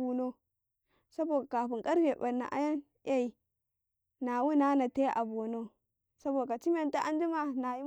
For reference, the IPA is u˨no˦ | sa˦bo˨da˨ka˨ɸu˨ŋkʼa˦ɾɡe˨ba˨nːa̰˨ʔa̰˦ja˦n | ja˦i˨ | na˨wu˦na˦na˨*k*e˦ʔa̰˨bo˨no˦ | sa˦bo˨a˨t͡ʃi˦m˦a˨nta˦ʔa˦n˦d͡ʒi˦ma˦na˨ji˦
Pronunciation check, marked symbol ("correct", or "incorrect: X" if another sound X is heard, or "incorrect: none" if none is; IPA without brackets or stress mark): incorrect: t